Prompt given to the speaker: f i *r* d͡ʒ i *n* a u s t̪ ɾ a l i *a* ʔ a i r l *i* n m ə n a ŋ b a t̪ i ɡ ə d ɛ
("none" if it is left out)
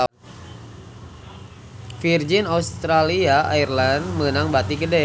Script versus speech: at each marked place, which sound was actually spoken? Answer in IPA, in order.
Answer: r, n, a, a

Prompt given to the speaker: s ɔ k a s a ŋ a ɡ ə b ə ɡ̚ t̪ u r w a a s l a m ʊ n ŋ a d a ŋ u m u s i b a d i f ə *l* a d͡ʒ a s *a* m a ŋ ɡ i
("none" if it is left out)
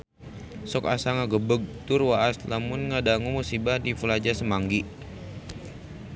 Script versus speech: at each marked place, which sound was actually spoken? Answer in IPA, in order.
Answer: l, ə

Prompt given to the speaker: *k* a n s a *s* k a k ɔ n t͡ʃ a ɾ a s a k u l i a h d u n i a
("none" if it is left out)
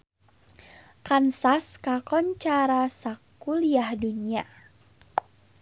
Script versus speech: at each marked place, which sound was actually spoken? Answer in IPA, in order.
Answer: k, s

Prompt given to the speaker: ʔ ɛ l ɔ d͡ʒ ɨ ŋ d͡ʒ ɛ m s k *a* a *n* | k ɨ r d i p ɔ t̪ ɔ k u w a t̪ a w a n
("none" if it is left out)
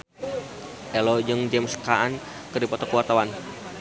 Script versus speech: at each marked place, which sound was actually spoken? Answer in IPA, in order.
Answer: a, n

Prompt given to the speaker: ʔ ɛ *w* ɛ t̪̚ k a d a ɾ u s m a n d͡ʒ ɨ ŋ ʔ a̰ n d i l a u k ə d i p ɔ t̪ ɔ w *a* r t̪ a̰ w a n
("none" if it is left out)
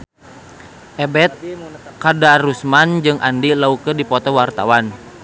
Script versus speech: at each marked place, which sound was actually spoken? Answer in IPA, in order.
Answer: b, a

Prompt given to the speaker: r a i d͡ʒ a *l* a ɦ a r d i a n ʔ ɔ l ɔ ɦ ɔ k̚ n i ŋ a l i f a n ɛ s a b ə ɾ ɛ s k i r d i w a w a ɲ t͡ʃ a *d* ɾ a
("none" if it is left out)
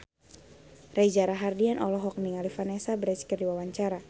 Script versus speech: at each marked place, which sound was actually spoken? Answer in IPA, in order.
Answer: ɾ, none

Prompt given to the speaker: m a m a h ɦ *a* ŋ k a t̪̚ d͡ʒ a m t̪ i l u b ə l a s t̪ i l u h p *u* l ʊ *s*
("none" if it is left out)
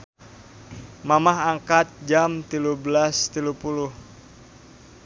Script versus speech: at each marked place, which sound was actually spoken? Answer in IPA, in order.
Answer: a, u, h

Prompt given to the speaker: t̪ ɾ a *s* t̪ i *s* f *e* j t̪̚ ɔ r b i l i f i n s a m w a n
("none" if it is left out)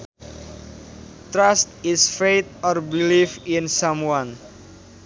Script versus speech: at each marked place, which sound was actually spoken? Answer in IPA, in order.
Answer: s, s, e

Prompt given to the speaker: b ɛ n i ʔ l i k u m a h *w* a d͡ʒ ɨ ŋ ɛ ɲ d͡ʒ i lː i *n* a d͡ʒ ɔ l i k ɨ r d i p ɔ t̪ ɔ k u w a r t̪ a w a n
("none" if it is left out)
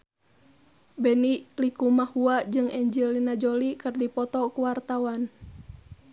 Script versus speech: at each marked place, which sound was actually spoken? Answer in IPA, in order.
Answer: u, n

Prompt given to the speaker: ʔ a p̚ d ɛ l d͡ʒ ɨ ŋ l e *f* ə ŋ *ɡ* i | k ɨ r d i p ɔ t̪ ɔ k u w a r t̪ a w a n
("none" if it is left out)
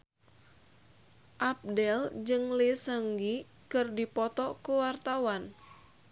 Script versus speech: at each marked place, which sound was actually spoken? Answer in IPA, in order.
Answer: s, ɡ

